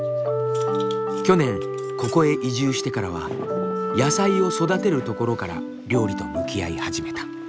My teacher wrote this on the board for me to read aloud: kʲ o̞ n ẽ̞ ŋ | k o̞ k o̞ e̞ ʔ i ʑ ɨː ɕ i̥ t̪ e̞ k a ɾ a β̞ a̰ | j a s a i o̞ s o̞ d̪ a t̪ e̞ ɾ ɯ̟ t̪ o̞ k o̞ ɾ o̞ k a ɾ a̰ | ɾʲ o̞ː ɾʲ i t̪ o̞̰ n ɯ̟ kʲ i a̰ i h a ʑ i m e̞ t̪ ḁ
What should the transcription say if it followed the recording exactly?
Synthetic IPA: kʲ o̞ n ẽ̞ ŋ | k o̞ k o̞ e̞ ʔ i ʑ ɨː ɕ i̥ t̪ e̞ k a ɾ a β̞ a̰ | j a s a i o̞ s o̞ d̪ a t̪ e̞ ɾ ɯ̟ t̪ o̞ k o̞ ɾ o̞ k a ɾ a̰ | ɾʲ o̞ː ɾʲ i t̪ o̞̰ m ɯ̟ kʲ i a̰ i h a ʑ i m e̞ t̪ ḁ